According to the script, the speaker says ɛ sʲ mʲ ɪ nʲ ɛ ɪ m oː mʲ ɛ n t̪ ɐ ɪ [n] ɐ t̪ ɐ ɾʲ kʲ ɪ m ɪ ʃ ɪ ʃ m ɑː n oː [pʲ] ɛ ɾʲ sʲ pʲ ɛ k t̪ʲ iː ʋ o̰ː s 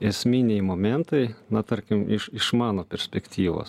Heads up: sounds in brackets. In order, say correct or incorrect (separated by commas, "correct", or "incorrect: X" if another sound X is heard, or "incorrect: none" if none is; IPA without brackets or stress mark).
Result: correct, correct